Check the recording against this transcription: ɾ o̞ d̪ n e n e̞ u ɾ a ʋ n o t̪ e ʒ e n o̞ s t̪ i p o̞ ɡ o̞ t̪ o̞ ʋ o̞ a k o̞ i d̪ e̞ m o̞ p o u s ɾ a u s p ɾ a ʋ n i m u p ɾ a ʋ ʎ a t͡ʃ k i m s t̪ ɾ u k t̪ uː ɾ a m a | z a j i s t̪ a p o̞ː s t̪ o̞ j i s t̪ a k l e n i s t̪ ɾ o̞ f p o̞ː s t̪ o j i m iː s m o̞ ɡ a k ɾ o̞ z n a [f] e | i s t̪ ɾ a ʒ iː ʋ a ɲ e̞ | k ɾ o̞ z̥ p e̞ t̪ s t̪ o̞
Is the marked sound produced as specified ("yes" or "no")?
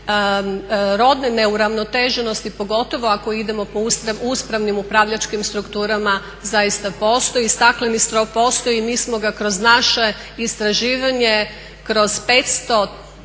no